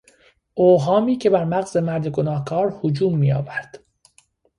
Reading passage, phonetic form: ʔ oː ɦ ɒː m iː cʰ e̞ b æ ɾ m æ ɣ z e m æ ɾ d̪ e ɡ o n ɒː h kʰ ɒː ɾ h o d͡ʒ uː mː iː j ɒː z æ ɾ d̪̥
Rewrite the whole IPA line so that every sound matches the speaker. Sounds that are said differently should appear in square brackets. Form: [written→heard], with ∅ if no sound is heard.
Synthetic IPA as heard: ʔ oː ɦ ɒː m iː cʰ e̞ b æ ɾ m æ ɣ z e m æ ɾ d̪ e ɡ o n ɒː h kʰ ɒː ɾ h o d͡ʒ uː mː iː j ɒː [z→v] æ ɾ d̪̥